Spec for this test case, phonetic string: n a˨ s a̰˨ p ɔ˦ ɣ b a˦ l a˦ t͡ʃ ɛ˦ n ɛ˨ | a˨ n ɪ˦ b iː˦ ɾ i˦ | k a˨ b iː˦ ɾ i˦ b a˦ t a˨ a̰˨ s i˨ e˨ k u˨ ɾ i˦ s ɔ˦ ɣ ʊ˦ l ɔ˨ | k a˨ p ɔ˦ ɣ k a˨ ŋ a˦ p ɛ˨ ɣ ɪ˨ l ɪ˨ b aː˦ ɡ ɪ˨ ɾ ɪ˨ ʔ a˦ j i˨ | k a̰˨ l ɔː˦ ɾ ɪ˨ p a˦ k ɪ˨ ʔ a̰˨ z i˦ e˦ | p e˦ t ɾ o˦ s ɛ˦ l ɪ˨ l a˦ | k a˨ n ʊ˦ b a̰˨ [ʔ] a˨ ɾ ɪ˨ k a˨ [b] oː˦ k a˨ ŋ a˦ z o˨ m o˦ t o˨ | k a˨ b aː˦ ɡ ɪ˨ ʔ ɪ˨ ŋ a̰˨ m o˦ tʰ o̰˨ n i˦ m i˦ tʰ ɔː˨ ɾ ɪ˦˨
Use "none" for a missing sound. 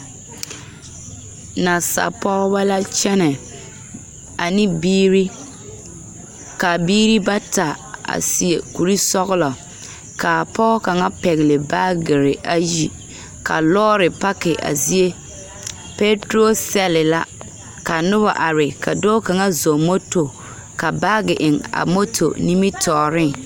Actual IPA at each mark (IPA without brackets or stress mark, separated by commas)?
ʔ, d